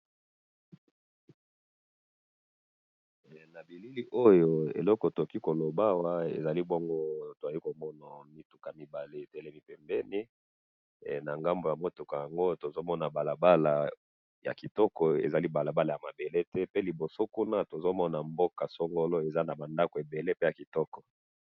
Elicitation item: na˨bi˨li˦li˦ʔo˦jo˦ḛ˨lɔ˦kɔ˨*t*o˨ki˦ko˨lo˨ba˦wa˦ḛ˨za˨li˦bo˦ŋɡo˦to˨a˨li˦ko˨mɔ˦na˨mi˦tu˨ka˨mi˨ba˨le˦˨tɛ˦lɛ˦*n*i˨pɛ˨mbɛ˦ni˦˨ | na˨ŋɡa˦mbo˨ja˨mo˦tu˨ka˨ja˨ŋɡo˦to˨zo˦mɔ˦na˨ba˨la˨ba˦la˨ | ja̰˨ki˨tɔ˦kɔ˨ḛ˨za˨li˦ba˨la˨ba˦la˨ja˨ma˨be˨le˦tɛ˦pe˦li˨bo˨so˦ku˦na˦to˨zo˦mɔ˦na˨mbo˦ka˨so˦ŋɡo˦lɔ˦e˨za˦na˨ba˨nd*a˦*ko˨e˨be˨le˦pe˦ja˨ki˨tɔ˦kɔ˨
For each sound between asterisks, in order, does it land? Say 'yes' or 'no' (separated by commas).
yes, no, yes